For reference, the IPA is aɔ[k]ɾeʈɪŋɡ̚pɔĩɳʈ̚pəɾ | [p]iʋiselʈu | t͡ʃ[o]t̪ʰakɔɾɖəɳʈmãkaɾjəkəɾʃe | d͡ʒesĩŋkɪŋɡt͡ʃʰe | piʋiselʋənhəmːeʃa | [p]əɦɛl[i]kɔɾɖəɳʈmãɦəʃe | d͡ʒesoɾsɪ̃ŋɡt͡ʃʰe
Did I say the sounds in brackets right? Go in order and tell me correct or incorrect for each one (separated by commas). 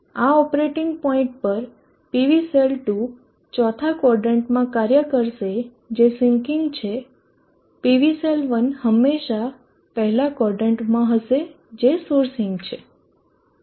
incorrect, correct, incorrect, correct, incorrect